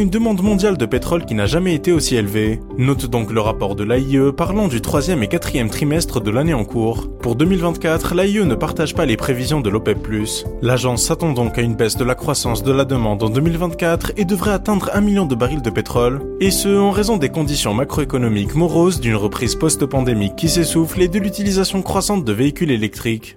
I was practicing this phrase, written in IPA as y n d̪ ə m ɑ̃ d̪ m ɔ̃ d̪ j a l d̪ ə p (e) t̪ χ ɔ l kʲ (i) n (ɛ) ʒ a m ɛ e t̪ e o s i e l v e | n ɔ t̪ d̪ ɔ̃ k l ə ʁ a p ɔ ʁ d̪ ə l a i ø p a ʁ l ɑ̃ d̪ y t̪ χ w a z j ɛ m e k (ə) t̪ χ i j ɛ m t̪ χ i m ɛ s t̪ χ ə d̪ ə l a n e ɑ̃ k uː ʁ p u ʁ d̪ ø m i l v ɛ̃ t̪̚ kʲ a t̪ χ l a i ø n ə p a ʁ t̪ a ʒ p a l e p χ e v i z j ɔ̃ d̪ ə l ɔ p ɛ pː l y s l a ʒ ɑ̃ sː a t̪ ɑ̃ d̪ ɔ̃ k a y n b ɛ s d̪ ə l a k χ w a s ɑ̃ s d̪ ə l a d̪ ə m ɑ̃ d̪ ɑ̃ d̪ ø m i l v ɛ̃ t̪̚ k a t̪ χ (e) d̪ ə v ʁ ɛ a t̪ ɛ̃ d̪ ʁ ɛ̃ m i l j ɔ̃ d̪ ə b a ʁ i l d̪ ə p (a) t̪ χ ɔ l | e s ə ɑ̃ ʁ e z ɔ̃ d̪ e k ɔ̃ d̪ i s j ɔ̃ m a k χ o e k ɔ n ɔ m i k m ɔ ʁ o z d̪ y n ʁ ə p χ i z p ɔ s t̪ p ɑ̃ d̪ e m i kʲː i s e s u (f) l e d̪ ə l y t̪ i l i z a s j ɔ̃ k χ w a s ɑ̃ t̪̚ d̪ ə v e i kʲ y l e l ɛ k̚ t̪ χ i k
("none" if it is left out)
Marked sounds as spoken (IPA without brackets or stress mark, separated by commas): e, i, a, a, e, e, f